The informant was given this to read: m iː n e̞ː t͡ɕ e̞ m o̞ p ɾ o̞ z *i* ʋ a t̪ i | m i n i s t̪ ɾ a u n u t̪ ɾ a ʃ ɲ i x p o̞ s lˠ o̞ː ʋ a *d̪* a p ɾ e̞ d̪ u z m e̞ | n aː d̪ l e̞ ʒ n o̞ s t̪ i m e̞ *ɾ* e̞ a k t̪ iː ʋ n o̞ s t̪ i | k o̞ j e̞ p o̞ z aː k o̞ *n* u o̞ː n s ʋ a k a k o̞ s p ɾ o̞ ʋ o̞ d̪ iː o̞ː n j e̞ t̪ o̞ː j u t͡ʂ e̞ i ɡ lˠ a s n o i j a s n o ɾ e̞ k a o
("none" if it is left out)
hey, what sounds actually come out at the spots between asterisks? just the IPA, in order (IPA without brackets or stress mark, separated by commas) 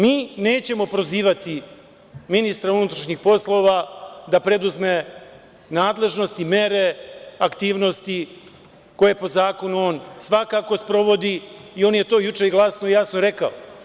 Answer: iː, d̪, ɾ, n